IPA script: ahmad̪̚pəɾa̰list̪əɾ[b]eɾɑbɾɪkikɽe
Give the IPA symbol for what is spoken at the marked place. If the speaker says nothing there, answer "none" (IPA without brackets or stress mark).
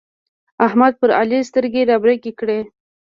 ɡ